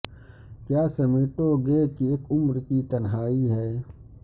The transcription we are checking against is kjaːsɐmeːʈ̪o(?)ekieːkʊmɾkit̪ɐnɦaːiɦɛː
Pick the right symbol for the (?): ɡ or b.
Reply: ɡ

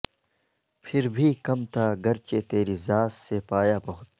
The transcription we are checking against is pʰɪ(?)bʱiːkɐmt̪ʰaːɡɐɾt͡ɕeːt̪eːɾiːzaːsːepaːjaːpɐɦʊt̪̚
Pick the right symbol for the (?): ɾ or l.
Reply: ɾ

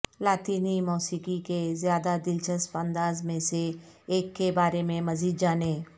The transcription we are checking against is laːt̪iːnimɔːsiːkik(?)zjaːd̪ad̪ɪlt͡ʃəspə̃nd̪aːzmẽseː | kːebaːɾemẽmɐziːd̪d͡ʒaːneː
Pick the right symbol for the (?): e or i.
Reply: e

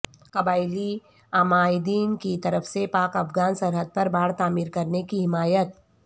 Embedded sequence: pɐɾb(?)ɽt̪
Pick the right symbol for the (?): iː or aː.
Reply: aː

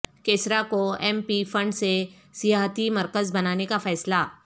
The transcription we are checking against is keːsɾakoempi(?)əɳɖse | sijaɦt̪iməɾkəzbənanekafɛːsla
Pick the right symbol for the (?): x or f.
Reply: f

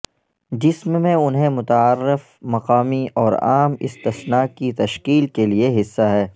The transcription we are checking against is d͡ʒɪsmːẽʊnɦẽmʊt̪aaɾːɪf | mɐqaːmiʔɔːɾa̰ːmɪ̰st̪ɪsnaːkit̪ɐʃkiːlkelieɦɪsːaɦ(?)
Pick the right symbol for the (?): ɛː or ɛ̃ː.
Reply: ɛː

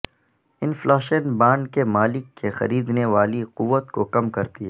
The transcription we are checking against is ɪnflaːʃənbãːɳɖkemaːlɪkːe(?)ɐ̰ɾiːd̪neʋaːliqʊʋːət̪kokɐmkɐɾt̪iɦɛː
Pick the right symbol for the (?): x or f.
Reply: x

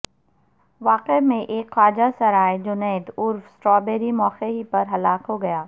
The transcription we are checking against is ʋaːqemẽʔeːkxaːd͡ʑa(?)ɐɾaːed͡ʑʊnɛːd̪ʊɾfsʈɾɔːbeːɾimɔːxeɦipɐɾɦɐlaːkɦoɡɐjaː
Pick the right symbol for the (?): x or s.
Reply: s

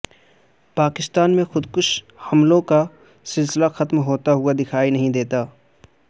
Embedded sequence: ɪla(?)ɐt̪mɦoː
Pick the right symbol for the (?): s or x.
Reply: x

